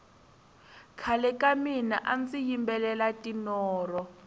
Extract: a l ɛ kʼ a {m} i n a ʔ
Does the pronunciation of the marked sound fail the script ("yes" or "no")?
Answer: no